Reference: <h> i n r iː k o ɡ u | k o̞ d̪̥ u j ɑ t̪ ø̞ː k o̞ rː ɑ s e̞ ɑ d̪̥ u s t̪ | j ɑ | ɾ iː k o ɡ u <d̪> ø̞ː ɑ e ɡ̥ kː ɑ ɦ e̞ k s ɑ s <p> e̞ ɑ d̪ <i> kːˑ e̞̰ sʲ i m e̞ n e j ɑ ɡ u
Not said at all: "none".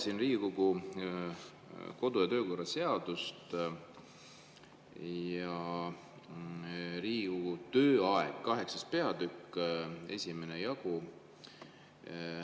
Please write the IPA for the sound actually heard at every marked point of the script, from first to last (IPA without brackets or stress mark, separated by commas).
s, t̪, p, y